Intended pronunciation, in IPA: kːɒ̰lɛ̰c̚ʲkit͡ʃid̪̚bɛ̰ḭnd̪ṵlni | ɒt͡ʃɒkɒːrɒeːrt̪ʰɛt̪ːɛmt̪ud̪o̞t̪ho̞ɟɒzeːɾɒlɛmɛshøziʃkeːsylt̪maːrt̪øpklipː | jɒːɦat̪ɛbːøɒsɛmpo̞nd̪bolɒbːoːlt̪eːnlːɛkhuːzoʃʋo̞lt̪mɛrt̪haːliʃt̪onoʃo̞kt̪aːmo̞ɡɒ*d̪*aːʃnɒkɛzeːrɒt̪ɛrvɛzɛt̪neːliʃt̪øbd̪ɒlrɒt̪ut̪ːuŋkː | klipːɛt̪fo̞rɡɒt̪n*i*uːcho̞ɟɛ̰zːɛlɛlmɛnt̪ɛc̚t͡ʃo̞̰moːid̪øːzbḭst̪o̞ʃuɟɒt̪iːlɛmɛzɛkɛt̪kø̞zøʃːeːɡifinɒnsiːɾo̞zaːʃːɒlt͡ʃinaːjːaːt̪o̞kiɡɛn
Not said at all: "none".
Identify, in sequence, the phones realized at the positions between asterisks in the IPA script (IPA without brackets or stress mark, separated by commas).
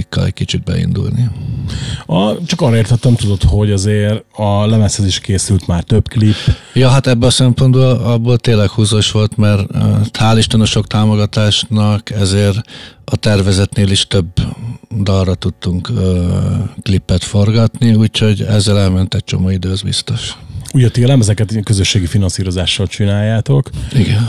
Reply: t̪, i